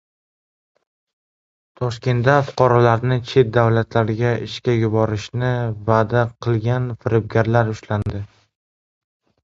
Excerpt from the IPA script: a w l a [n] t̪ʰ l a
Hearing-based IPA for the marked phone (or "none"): none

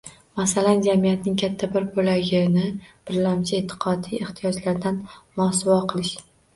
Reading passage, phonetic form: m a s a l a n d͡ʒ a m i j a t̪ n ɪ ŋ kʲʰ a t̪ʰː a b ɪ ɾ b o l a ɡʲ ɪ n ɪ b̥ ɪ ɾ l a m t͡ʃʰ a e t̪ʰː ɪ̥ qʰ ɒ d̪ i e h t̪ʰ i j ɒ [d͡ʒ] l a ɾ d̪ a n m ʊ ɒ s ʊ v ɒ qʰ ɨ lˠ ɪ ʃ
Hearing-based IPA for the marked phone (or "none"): d͡ʒ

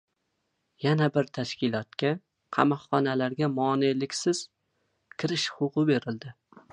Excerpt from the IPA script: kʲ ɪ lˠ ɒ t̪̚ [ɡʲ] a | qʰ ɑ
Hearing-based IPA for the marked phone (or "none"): kʲ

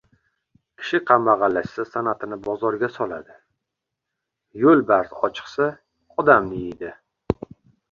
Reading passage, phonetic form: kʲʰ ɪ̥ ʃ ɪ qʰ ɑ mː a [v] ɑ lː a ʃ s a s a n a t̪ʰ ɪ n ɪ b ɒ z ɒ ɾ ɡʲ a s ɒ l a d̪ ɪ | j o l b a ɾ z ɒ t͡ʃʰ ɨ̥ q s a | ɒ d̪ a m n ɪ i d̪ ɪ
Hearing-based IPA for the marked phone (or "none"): ʁ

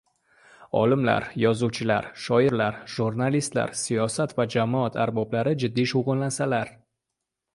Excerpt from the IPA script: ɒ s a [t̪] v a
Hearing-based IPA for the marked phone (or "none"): t̪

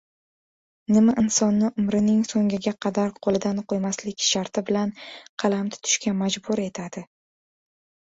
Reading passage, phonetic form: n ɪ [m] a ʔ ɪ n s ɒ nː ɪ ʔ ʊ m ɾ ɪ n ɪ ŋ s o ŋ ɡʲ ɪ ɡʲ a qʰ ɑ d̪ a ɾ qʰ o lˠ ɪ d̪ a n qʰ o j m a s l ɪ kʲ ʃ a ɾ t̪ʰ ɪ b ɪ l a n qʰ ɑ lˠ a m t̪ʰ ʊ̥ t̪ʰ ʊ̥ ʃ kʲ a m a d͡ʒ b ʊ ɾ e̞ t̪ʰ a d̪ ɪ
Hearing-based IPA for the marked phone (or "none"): m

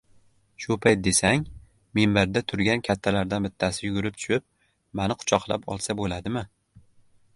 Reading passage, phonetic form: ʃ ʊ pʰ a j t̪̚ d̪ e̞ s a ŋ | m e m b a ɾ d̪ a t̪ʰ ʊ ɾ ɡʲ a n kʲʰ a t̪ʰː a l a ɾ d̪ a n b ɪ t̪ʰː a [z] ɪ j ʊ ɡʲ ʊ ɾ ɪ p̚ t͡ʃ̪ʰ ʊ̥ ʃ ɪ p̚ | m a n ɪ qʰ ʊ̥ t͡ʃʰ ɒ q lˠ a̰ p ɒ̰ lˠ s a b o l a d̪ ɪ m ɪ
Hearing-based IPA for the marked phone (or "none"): s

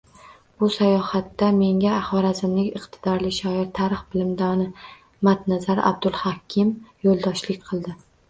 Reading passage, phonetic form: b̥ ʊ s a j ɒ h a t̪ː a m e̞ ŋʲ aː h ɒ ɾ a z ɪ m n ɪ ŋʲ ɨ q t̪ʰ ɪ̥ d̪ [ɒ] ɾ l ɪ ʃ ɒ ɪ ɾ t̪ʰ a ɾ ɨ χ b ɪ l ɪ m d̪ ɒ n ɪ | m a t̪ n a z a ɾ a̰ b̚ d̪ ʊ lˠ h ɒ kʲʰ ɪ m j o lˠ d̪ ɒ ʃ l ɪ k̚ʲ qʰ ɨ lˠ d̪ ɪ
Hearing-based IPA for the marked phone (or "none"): ɒ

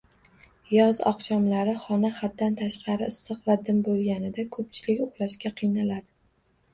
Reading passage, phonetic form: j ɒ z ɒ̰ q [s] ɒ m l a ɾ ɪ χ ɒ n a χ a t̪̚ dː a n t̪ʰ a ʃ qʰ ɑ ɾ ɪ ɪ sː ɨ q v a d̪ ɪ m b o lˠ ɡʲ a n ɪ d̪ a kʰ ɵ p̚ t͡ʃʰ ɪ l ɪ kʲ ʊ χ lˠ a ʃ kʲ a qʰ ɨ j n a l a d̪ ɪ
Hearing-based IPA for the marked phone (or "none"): ʃ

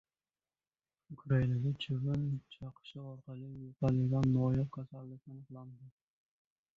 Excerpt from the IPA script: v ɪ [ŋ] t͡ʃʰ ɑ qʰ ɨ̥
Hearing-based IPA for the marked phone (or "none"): n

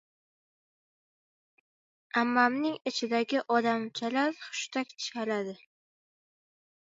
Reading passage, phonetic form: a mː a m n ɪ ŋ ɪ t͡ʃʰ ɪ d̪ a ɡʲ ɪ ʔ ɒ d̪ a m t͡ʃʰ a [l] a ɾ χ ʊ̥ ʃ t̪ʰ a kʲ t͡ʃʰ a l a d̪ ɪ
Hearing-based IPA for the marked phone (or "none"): l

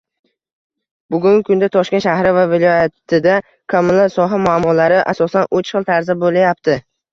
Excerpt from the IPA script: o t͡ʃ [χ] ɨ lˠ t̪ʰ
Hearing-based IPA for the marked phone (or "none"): χ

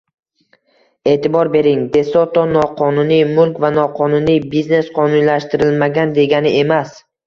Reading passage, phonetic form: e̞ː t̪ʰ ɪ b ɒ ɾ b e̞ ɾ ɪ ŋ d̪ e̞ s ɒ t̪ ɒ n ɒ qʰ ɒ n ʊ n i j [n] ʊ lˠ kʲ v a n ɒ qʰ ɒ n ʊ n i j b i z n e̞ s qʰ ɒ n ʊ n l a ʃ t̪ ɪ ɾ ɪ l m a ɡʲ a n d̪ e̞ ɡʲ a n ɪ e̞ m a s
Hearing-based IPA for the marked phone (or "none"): m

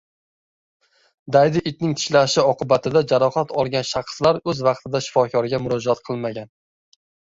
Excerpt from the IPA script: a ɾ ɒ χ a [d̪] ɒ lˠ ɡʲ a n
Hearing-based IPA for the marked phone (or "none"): t̪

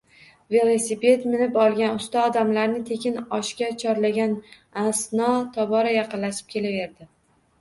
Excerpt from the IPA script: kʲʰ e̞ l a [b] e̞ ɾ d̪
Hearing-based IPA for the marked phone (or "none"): v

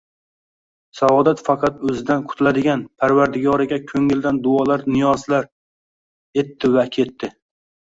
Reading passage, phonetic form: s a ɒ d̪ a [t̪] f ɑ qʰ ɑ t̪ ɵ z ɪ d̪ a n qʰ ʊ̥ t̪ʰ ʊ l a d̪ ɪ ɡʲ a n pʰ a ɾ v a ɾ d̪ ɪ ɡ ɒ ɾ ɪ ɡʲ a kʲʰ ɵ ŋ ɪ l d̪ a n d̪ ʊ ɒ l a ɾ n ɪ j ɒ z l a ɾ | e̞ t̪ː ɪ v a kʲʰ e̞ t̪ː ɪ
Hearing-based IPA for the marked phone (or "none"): t̪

